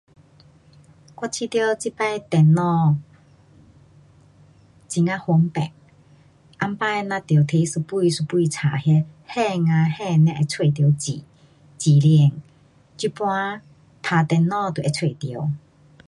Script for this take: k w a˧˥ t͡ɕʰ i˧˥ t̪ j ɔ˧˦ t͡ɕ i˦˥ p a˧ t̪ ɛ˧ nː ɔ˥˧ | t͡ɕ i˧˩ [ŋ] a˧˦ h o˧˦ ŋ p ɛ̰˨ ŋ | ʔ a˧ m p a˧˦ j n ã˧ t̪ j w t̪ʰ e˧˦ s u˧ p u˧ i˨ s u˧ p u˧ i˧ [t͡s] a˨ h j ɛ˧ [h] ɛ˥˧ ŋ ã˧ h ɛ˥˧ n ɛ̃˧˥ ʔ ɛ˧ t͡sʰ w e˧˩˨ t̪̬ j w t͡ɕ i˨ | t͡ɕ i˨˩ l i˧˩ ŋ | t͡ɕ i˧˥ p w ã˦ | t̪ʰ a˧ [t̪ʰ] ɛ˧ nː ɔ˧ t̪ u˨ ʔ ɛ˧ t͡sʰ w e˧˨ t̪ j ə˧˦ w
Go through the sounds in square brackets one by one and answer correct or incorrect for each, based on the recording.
correct, incorrect, correct, incorrect

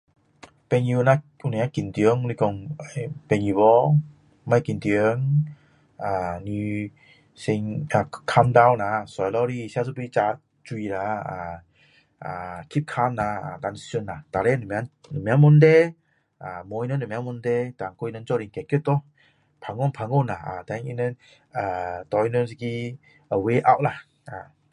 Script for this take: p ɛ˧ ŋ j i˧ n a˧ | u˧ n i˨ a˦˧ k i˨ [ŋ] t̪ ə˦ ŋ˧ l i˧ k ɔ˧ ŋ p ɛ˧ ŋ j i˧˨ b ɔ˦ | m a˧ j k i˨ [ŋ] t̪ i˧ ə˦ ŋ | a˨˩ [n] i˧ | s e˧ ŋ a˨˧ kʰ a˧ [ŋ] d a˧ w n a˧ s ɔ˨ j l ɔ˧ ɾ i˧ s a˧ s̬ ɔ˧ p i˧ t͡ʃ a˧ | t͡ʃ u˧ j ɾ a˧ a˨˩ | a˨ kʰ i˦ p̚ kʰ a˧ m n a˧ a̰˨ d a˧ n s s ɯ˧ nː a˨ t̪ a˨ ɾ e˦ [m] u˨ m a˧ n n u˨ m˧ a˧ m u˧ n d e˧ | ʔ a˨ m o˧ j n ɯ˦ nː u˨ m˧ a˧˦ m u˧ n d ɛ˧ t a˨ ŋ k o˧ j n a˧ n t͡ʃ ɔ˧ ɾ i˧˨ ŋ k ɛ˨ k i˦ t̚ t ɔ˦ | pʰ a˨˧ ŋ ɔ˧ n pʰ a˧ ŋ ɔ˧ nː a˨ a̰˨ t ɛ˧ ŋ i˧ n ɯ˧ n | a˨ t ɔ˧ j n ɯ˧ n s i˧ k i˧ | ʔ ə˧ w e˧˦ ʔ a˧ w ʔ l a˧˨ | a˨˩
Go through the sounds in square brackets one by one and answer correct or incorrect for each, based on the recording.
incorrect, incorrect, correct, incorrect, incorrect

